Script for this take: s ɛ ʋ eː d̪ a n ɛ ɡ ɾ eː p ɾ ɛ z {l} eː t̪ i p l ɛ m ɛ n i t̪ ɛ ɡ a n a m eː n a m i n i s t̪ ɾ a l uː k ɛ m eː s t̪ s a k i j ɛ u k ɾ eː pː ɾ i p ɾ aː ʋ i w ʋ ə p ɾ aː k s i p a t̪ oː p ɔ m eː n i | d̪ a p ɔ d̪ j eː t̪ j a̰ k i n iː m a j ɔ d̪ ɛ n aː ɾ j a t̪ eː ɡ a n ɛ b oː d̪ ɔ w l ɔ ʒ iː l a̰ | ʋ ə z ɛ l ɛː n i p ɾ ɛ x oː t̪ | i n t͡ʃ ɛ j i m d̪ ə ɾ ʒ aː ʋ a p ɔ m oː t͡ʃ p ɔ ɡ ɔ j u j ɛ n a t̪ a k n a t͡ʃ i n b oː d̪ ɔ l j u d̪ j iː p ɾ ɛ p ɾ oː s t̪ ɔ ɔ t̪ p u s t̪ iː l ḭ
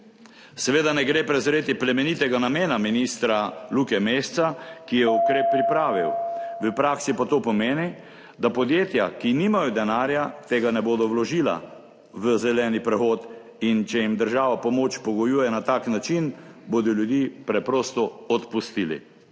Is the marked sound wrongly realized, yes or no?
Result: yes